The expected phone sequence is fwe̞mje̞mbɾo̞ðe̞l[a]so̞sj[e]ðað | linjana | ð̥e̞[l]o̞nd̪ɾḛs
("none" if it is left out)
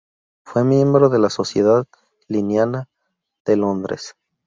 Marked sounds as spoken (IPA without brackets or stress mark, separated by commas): a, e, l